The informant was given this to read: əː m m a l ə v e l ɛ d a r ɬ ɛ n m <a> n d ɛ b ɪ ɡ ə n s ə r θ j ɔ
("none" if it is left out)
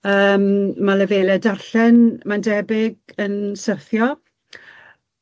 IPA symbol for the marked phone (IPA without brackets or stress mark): a